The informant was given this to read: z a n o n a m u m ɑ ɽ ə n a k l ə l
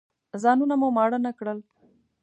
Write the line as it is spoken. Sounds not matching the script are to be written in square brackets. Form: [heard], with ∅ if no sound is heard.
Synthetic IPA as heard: z [ɑ] n [u] n a m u m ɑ ɽ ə n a k [ɽ] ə l